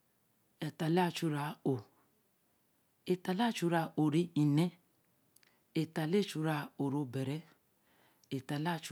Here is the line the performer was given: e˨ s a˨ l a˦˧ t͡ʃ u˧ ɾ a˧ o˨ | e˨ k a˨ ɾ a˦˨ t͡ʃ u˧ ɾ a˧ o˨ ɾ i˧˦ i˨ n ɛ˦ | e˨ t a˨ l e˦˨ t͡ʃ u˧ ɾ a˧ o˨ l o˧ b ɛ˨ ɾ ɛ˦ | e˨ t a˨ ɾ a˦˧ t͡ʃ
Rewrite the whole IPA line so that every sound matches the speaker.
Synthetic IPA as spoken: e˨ t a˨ l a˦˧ t͡ʃ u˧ ɾ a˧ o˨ | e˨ t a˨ l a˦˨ t͡ʃ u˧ ɾ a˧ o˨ ɾ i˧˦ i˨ n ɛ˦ | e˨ t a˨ l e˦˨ t͡ʃ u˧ ɾ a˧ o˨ ɾ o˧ b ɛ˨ ɾ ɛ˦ | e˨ t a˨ l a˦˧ t͡ʃ

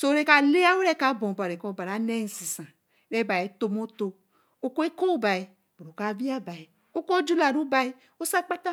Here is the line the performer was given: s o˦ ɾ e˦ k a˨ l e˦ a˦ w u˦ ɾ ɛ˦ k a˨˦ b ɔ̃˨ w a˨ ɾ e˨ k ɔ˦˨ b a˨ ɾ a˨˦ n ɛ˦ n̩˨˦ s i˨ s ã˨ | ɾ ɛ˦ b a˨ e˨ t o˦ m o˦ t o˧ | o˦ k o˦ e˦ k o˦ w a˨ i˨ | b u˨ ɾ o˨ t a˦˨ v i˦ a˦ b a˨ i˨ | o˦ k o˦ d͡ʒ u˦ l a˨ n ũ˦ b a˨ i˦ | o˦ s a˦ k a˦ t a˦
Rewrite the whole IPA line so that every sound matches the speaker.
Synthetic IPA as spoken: s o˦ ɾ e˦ k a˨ l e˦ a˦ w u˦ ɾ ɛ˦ k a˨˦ b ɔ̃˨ b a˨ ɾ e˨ k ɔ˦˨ b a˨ ɾ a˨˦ n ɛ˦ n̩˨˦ s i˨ s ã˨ | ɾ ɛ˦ b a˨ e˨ t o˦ m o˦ t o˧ | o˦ k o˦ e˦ k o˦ b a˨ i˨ | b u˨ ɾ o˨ k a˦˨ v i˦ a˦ b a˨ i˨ | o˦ k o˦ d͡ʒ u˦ l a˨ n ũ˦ b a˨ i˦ | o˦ s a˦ k͡p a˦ t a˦

